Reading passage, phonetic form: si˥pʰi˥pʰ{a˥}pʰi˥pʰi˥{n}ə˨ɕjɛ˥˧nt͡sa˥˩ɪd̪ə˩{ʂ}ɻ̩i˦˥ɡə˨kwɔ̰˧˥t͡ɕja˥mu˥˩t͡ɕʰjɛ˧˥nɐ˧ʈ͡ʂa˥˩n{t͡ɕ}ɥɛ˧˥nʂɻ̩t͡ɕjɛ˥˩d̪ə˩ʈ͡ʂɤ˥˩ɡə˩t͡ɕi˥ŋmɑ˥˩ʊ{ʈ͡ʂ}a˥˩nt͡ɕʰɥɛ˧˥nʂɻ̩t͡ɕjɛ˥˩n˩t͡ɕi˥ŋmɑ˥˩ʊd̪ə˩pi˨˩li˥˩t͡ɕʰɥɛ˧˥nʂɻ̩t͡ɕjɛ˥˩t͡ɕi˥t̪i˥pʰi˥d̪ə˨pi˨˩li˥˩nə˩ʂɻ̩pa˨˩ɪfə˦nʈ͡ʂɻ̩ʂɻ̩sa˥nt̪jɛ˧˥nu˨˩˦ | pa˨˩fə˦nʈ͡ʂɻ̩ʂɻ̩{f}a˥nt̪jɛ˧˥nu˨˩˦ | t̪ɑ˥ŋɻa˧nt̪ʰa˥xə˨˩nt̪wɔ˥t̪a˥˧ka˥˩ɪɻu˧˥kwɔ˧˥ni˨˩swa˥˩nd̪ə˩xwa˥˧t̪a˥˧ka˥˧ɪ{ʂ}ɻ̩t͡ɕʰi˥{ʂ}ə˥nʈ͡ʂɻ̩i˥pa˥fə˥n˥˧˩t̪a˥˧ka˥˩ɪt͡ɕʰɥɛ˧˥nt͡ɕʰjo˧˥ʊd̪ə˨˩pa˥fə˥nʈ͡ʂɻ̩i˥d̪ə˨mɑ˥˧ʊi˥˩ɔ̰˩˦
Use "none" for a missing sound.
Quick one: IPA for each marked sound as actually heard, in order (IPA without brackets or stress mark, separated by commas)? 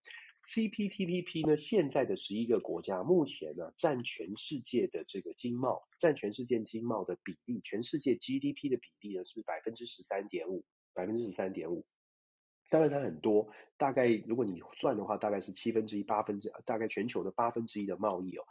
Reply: i˥, n, ʂ, t͡ɕʰ, ʈ͡ʂ, s, ʂ, f